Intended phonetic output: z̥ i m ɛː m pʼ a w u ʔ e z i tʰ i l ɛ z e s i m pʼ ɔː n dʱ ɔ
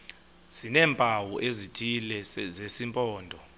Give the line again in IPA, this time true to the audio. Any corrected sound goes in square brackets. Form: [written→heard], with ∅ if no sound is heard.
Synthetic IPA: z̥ i [m→n] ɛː m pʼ a w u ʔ e z i tʰ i l ɛ z e s i m pʼ ɔː n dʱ ɔ